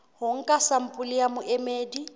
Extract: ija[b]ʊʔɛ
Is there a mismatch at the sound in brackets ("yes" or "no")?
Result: yes